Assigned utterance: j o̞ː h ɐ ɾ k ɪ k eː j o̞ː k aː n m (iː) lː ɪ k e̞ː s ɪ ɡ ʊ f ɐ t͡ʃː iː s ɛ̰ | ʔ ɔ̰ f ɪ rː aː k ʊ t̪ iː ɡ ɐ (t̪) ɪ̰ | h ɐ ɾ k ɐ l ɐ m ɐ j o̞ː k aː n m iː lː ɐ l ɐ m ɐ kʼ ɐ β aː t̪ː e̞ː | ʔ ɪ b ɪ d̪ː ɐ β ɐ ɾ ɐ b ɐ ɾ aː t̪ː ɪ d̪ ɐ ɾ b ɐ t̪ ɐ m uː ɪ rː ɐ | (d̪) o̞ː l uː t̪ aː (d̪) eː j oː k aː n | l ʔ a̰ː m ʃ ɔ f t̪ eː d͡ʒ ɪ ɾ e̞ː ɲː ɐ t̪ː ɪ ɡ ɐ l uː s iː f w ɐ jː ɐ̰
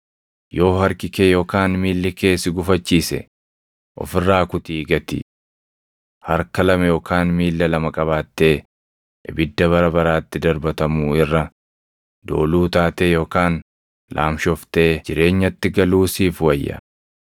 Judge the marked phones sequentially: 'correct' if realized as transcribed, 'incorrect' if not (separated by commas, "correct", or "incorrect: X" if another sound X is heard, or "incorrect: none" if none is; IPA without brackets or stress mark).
correct, correct, correct, incorrect: t̪